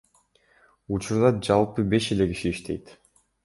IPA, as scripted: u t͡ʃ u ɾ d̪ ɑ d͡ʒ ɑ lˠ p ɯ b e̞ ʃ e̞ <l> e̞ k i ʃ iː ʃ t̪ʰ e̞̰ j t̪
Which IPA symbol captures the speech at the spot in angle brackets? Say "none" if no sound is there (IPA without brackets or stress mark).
l